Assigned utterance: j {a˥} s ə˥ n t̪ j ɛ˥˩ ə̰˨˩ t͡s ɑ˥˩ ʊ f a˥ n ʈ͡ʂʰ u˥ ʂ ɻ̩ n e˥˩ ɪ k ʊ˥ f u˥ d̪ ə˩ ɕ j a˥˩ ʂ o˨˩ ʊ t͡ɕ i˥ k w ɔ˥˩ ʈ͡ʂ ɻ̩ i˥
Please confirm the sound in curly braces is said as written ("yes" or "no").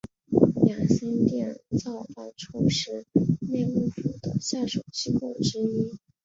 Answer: no